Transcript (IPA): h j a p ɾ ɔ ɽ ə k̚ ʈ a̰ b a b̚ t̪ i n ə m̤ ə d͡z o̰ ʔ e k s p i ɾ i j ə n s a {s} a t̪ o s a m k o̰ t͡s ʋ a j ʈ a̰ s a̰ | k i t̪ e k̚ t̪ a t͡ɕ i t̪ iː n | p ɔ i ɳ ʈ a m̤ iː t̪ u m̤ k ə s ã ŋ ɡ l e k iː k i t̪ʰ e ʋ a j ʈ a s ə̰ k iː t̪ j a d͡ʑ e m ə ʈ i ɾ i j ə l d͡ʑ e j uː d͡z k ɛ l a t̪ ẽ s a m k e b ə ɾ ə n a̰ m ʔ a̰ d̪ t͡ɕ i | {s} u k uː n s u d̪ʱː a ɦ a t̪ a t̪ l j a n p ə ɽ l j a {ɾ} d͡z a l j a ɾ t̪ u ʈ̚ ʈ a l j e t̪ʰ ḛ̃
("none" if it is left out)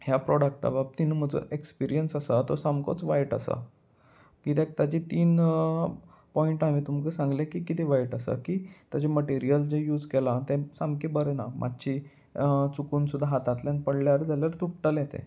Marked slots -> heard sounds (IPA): s, t͡s, ɾ

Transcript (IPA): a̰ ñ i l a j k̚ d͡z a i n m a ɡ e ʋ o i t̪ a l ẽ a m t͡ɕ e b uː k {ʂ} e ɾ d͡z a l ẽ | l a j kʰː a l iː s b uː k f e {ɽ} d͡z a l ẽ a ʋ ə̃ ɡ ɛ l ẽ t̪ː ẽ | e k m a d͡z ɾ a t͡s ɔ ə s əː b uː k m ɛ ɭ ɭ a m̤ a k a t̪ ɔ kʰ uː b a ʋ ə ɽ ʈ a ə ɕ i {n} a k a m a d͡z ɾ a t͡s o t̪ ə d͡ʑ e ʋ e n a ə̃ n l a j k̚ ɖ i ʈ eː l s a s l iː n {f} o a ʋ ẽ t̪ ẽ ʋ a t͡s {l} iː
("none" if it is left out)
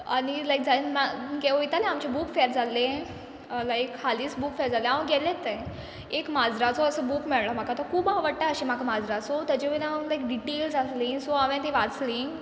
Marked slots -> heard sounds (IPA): f, ɾ, m, s, l

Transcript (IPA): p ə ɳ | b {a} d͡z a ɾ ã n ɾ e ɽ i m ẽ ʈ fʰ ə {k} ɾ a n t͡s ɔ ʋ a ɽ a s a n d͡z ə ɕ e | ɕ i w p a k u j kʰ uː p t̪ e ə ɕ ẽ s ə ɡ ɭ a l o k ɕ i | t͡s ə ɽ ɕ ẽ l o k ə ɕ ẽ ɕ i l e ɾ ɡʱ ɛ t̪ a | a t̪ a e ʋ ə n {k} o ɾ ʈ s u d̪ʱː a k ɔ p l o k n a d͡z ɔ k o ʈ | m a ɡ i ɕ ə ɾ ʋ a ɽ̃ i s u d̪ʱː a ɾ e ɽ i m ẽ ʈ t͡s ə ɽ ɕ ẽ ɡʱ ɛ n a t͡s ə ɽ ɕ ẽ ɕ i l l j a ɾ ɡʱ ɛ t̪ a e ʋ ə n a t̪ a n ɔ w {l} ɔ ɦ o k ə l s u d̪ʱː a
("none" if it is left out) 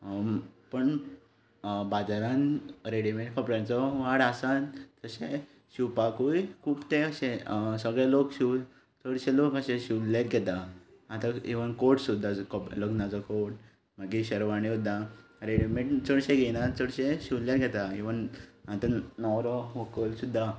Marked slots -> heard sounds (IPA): a, p, k, ɾ

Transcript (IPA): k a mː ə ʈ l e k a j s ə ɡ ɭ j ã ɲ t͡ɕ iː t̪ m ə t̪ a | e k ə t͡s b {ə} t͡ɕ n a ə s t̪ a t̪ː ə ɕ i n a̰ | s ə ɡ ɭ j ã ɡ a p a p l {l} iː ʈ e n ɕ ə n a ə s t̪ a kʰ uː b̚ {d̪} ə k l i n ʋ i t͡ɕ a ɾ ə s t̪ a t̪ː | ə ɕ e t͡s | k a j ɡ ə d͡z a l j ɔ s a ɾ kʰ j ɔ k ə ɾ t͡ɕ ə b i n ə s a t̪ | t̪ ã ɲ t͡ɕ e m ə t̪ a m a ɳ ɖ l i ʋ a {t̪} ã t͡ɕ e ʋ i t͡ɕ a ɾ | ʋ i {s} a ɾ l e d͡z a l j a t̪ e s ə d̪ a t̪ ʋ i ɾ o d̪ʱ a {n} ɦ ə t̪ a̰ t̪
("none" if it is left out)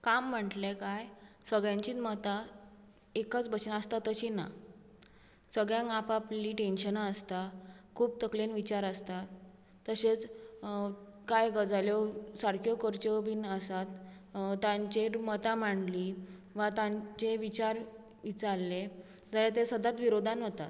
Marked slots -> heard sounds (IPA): ə, l, t̪, t̪, t͡s, n

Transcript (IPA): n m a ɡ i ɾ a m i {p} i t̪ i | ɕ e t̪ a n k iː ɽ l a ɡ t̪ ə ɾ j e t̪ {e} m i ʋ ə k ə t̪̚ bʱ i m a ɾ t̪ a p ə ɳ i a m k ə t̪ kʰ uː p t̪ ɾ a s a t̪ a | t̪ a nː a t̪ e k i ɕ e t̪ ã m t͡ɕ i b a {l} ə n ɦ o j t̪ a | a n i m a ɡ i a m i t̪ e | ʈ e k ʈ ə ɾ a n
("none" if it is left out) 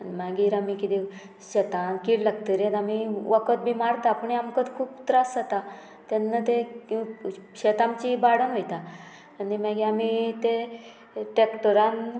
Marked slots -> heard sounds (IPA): k, a, ɽ

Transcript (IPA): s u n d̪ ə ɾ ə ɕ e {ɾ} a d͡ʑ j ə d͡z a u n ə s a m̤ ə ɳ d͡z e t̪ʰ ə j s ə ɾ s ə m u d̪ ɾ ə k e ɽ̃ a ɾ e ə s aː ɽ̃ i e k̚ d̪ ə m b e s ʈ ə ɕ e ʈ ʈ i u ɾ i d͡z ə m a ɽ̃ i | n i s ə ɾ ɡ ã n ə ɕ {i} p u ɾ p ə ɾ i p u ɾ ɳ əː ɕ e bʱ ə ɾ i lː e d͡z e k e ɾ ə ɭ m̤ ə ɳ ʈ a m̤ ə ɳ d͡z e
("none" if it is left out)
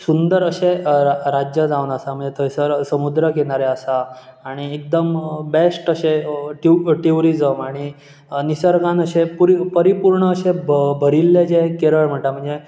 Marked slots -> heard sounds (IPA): ɾ, e

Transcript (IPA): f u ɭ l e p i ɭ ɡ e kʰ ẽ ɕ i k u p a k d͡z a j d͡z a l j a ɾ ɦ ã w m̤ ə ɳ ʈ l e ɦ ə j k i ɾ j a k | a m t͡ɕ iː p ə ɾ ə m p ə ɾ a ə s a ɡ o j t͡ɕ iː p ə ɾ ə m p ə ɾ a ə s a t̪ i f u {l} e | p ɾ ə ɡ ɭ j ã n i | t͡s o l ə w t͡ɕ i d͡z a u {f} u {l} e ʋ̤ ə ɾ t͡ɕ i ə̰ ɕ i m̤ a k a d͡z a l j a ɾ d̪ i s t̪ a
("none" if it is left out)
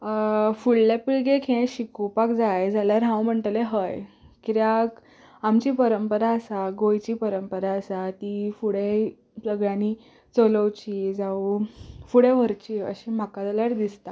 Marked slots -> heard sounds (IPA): ɽ, f, ɽ

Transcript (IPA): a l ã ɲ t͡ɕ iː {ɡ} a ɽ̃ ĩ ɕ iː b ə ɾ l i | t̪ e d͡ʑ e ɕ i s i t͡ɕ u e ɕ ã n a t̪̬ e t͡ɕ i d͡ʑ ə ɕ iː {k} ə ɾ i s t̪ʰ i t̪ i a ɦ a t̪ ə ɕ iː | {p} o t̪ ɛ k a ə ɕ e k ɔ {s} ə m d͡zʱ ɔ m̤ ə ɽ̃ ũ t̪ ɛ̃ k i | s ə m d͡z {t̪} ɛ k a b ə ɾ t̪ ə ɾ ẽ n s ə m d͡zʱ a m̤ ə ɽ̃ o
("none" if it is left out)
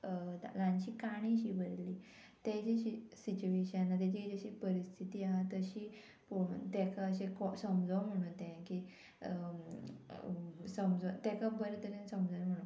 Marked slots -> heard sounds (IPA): k, p, p, s, t̪

